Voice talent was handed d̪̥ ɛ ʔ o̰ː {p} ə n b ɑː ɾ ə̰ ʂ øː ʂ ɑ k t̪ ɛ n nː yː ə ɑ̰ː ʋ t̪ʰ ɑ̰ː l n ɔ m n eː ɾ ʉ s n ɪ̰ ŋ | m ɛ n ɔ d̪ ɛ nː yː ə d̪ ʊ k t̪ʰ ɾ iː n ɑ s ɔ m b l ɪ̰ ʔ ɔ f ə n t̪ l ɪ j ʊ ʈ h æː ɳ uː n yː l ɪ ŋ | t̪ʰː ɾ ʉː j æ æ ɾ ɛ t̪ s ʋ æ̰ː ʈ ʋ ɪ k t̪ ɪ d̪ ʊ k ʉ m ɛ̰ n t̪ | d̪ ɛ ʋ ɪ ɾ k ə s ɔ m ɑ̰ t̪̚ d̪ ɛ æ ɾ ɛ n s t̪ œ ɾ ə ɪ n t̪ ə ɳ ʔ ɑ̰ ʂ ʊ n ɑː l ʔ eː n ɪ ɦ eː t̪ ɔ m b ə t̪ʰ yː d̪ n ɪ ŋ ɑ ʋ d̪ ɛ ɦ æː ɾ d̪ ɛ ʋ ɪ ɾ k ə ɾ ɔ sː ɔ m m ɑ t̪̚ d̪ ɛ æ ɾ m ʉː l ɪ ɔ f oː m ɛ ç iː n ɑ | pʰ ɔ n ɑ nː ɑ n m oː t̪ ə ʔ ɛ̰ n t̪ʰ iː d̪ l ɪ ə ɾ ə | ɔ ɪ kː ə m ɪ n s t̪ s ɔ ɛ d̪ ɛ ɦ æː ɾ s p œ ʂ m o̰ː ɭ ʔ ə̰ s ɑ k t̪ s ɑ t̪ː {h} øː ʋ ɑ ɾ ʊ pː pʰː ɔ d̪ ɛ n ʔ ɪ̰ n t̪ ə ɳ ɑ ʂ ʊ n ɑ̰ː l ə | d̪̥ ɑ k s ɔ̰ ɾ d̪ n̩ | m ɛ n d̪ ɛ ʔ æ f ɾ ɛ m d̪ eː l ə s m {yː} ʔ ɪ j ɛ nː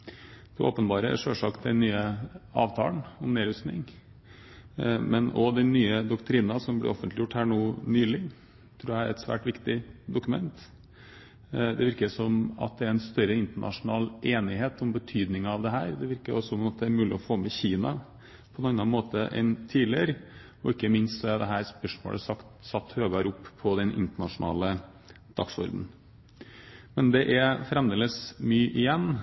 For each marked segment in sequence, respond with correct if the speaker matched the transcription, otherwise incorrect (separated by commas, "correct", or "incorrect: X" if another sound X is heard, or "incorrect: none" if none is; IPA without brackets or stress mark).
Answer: correct, correct, correct